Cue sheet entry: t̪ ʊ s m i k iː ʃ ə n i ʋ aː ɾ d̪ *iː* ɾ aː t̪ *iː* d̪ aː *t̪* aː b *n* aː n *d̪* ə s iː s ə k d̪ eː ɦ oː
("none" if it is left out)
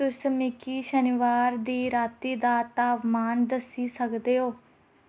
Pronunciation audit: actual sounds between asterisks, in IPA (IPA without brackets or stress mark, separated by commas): iː, iː, t̪, m, d̪